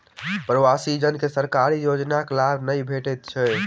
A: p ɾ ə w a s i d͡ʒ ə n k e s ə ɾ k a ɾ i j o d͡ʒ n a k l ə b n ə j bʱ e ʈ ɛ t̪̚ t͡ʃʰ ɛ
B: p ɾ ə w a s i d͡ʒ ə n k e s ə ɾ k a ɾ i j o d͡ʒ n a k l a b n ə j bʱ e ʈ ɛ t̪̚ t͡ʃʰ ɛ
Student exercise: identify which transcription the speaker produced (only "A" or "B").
B